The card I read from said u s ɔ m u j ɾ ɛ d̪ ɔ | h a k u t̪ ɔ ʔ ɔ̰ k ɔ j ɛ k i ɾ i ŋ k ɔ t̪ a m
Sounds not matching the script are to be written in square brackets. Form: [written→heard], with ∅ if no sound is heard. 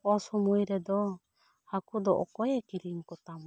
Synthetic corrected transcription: [u→ɔ] s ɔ m u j ɾ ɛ d̪ ɔ | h a k u [t̪→d̪] ɔ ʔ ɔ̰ k ɔ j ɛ k i ɾ i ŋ k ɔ t̪ a m